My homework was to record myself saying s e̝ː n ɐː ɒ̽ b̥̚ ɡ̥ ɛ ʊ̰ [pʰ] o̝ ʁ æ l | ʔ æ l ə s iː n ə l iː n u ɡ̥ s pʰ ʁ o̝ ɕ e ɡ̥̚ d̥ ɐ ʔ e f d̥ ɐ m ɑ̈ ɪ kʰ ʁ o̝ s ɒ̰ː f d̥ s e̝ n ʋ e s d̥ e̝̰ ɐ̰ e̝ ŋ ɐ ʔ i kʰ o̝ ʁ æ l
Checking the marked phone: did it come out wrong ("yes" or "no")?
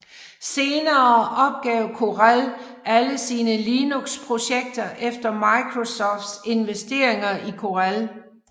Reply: yes